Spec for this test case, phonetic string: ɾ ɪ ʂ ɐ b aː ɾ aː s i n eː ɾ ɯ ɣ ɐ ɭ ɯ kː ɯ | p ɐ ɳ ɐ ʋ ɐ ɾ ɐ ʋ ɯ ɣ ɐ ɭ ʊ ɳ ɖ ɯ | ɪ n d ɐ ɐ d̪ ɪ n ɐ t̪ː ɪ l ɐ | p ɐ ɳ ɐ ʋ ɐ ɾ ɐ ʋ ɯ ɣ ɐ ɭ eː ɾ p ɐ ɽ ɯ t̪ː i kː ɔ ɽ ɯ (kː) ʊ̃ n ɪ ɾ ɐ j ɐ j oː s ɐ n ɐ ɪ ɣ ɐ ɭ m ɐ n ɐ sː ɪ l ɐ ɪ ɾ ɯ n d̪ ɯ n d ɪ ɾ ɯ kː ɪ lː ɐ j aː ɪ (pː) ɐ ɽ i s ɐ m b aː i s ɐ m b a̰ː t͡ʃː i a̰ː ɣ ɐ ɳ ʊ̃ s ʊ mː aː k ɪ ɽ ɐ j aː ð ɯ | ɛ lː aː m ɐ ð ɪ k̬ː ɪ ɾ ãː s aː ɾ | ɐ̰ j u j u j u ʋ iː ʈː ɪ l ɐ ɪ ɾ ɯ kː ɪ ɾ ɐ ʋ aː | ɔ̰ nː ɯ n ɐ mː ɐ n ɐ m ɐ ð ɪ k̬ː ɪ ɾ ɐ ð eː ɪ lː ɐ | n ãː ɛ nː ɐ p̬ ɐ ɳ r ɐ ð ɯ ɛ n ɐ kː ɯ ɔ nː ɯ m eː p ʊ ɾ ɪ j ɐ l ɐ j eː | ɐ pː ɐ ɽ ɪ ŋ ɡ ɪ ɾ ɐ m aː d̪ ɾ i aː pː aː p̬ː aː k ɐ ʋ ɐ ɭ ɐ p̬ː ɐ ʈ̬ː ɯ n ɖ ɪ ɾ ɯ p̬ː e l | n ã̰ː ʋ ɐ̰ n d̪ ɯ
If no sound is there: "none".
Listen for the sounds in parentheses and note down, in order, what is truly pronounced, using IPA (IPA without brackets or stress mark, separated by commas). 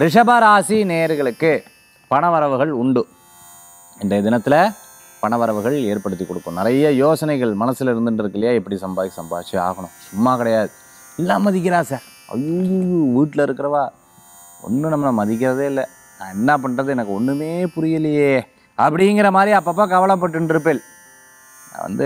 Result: kː, pː